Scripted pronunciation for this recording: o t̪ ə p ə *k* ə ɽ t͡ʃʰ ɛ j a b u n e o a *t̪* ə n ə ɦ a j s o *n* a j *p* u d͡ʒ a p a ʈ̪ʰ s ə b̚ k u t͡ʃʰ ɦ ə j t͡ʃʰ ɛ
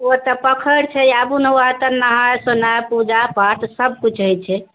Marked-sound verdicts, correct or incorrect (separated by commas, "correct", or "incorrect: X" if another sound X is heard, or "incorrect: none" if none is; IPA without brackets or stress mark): incorrect: kʰ, correct, correct, correct